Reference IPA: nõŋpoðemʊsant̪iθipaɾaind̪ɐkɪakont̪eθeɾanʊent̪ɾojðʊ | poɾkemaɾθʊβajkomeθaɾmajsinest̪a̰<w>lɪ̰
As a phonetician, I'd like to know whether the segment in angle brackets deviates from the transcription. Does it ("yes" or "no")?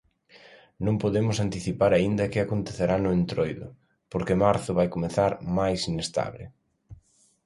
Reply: yes